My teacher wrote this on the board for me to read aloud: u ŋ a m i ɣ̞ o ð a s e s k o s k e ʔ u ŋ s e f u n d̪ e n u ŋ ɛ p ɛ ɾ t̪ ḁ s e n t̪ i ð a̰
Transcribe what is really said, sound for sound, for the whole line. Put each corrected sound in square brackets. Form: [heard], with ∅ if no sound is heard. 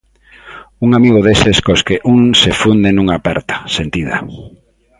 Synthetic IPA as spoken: u ŋ a m i ɣ̞ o ð [e] s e s k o s k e ʔ u ŋ s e f u n d̪ e n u ŋ [a] p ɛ ɾ t̪ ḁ s e n t̪ i ð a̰